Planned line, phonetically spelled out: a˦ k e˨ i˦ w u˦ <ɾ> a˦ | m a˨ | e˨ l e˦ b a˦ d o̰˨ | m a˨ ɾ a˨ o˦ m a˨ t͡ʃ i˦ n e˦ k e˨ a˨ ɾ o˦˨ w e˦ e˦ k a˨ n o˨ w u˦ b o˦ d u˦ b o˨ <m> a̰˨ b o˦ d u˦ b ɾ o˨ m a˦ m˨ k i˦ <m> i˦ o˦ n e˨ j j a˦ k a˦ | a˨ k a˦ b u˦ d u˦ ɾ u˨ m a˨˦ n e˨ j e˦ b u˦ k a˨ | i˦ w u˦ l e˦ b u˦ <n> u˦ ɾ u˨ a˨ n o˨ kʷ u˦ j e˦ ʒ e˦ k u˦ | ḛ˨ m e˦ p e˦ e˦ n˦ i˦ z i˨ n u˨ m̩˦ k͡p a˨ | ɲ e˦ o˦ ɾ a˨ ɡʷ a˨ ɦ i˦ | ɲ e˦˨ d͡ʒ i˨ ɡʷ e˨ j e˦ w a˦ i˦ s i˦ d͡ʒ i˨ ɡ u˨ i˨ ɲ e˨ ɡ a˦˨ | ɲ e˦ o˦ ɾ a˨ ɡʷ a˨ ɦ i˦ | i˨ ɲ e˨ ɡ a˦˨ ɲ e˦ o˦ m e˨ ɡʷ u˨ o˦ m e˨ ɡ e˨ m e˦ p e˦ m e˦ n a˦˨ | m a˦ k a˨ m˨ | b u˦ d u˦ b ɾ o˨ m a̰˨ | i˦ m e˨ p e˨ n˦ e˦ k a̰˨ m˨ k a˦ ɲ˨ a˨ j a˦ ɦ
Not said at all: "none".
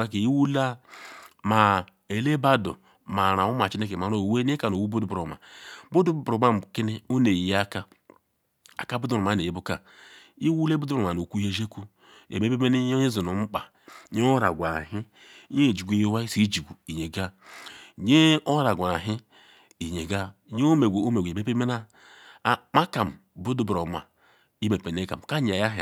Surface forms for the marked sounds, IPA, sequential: l, m, n, d

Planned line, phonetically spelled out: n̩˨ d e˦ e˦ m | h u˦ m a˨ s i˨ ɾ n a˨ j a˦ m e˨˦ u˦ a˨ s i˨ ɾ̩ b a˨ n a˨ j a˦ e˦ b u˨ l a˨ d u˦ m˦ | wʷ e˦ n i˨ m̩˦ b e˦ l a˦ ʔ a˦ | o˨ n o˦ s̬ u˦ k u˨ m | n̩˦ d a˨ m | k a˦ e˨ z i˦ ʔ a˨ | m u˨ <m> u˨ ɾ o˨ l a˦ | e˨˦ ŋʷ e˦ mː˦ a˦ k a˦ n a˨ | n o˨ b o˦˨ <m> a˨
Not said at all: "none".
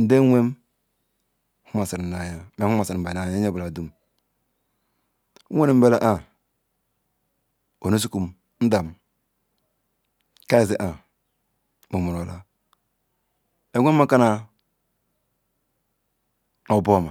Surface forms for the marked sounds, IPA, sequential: m, m

